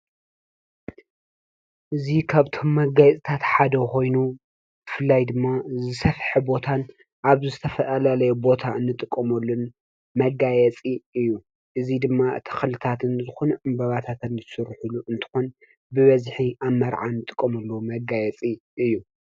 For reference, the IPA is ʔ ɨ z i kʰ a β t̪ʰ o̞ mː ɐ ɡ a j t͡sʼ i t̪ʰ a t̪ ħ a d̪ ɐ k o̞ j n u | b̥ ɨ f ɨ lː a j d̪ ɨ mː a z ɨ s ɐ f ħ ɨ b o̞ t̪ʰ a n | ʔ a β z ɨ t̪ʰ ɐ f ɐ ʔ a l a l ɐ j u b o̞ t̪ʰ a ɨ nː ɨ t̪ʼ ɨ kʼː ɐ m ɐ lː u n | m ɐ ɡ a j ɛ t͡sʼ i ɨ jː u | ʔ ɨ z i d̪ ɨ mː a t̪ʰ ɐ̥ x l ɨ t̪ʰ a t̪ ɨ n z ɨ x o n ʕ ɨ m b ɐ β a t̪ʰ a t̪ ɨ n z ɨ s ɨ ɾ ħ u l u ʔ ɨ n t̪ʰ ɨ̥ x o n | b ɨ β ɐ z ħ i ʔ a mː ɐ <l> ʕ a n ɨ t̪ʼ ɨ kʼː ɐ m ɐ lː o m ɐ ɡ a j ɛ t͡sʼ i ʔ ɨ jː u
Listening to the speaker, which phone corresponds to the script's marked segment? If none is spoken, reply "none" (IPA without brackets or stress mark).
ɾ